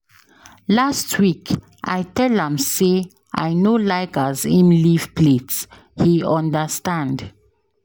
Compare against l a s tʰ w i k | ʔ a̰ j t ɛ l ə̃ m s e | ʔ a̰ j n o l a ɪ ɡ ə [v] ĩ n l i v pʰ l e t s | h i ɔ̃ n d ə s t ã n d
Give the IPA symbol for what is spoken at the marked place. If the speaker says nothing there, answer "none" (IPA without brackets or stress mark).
z